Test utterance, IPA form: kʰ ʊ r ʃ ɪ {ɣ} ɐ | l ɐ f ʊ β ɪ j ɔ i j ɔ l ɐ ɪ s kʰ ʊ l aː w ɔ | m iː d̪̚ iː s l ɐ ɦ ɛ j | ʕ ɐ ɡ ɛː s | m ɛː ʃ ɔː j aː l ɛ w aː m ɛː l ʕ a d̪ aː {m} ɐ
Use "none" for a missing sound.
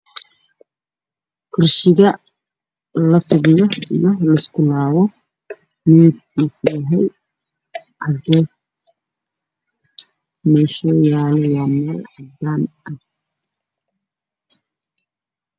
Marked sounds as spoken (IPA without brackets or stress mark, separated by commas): ɣ, n